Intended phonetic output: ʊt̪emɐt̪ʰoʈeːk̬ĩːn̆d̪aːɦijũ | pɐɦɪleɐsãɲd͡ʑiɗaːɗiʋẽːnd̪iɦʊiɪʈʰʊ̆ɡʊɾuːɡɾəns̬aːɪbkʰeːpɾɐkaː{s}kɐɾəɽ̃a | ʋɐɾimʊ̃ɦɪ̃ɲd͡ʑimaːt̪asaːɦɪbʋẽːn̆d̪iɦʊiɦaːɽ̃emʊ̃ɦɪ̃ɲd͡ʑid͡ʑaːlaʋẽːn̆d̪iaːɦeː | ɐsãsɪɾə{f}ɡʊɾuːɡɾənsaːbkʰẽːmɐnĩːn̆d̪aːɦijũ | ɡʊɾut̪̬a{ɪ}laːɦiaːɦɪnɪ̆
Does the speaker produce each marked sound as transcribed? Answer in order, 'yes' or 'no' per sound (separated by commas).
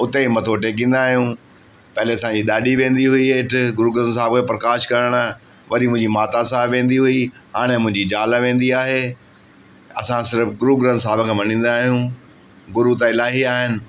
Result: no, yes, yes